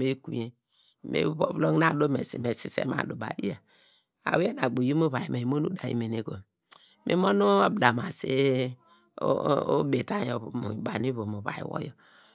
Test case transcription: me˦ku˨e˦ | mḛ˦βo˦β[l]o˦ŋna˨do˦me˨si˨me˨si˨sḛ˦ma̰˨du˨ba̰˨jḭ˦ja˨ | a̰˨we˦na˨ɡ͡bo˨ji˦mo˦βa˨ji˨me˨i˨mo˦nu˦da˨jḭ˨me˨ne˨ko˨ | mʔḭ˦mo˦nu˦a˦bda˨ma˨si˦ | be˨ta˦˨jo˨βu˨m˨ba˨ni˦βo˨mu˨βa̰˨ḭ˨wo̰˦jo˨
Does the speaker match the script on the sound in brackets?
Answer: yes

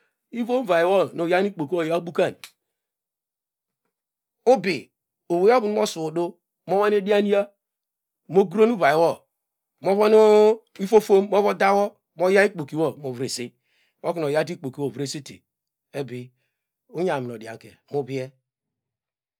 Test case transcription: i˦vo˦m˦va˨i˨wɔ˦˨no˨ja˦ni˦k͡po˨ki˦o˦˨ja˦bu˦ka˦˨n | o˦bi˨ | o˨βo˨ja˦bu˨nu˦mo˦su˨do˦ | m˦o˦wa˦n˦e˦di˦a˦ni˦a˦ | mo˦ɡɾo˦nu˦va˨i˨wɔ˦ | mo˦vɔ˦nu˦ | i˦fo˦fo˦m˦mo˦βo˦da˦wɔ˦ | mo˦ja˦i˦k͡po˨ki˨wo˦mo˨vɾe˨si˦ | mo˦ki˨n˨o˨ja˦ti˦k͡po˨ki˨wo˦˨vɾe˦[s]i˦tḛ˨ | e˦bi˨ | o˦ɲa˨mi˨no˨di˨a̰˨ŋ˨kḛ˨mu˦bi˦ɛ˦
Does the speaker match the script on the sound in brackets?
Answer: yes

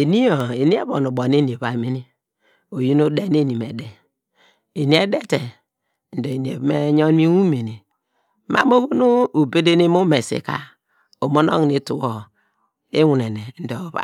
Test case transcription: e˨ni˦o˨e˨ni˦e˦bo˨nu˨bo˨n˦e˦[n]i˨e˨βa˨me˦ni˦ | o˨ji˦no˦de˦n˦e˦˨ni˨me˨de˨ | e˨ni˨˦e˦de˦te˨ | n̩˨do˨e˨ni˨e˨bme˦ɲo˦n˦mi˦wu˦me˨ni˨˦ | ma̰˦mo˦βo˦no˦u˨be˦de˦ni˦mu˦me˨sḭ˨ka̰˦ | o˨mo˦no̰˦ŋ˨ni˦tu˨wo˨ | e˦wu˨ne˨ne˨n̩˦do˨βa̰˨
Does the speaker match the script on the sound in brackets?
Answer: yes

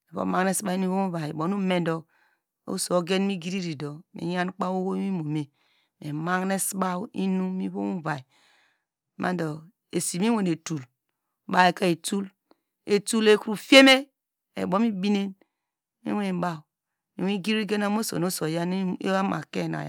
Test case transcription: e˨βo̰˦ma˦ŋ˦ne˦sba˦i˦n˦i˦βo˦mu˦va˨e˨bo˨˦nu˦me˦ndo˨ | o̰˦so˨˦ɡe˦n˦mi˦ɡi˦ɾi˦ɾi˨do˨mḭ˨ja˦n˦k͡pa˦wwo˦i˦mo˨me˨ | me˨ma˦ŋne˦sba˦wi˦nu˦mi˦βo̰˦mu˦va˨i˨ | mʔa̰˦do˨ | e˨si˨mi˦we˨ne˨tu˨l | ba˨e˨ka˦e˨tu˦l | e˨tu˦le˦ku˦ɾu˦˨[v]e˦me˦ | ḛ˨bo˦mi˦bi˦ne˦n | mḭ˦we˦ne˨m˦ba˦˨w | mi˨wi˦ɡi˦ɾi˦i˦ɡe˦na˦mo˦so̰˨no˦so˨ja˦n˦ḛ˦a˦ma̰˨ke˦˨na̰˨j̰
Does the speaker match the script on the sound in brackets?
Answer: no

